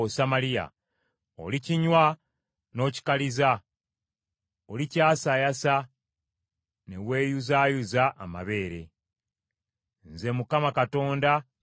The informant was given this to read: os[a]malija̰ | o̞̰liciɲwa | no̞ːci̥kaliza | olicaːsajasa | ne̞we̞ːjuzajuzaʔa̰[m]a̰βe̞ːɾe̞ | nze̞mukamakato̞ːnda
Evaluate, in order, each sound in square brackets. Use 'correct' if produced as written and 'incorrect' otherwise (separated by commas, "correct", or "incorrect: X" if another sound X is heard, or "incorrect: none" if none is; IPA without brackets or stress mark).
correct, correct